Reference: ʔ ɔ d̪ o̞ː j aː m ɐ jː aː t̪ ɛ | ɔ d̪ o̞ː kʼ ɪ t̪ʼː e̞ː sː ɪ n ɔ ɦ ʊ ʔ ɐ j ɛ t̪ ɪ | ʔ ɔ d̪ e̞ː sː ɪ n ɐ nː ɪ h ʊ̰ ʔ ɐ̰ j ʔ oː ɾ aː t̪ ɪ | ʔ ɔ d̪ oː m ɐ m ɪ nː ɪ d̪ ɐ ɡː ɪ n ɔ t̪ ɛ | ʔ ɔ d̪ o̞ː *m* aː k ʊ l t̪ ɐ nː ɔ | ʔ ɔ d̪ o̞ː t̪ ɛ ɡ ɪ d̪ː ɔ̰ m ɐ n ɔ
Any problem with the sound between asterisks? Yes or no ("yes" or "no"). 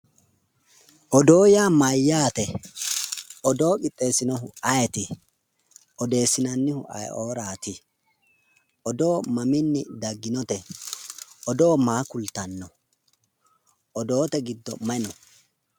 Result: no